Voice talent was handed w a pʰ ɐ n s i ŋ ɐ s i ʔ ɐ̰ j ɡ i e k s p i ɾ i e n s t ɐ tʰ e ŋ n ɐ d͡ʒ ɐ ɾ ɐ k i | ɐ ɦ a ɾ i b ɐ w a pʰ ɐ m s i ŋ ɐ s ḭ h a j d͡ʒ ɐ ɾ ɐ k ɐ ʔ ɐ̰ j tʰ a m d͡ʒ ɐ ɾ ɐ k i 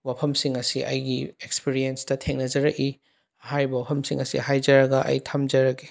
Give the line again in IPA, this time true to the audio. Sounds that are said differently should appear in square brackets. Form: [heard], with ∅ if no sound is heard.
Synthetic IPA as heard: w a pʰ ɐ [m] s i ŋ ɐ s i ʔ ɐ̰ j ɡ i e k s p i ɾ i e n s t ɐ tʰ e ŋ n ɐ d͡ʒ ɐ ɾ ɐ k i | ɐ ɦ a ɾ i b ɐ w a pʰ ɐ m s i ŋ ɐ s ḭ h a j d͡ʒ ɐ ɾ ɐ [ɡ] ɐ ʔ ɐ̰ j tʰ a m d͡ʒ ɐ ɾ ɐ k i